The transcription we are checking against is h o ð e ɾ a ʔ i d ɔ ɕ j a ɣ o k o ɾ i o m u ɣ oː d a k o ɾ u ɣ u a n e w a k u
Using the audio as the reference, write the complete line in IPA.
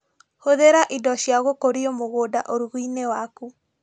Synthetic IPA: h o ð e ɾ a ʔ i d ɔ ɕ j a ɣ o k o ɾ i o m o ɣ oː d a ʔ o ɾ u ɣ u i n e w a k u